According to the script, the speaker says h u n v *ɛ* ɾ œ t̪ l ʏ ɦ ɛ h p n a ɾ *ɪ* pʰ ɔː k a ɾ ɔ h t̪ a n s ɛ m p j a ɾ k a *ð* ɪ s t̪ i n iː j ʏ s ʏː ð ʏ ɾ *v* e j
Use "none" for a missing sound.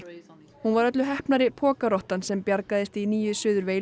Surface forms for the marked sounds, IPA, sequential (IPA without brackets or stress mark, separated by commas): a, ɪ, ð, v